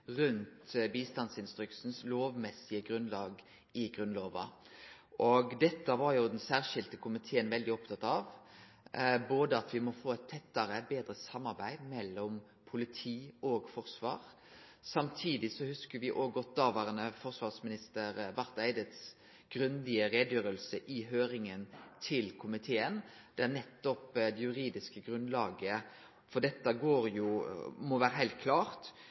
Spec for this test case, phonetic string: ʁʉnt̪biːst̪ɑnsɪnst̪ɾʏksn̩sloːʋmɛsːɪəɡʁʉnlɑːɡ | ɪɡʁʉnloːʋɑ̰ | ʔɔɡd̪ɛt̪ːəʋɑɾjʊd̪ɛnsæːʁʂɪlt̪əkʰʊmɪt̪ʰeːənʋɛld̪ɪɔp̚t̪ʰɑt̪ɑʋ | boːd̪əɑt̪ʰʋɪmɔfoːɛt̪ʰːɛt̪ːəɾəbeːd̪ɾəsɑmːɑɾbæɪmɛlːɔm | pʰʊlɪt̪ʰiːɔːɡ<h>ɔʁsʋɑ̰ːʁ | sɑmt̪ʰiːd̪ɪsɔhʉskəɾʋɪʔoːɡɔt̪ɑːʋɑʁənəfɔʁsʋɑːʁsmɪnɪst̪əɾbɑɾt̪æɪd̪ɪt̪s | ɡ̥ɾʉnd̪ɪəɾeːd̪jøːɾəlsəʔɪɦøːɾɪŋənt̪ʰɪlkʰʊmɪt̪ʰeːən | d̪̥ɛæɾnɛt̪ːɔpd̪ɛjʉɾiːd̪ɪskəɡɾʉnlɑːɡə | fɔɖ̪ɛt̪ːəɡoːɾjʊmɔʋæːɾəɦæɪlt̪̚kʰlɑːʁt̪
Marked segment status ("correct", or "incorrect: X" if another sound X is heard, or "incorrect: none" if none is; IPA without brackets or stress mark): incorrect: f